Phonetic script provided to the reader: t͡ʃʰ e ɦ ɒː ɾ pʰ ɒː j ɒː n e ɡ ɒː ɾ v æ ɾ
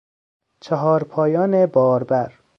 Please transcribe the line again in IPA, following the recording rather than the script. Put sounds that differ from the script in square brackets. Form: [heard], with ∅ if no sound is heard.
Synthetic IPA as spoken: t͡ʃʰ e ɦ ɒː ɾ pʰ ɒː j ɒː n e [b] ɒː ɾ [b] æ ɾ